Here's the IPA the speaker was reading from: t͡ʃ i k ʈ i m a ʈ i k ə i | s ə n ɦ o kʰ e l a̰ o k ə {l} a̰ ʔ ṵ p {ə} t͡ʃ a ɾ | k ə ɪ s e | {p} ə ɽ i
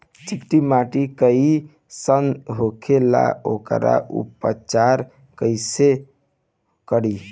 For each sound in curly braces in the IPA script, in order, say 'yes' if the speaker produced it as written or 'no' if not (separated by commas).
no, yes, no